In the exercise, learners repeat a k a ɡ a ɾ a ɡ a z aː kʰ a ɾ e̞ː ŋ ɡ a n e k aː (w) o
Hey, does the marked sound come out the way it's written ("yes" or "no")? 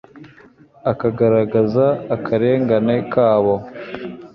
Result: no